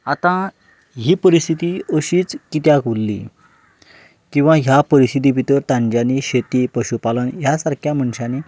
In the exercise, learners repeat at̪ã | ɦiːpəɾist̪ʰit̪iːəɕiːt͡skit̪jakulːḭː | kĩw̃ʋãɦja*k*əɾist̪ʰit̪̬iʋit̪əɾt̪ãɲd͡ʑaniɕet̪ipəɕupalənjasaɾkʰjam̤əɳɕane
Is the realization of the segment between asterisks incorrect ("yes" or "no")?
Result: yes